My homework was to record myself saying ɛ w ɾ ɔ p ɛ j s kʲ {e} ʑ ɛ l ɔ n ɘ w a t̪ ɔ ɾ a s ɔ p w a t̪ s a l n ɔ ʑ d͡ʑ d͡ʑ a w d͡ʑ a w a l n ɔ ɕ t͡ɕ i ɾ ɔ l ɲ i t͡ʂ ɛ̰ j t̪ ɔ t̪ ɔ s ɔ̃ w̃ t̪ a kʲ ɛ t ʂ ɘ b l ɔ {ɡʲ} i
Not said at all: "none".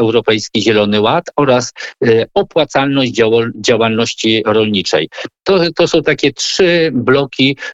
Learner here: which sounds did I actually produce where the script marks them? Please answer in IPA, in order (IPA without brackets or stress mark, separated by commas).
i, kʲ